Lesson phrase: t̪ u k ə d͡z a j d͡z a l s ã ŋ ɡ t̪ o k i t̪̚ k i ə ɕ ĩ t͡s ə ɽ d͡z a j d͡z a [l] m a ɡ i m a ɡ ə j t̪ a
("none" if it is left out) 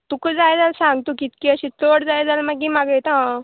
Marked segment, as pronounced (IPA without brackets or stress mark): l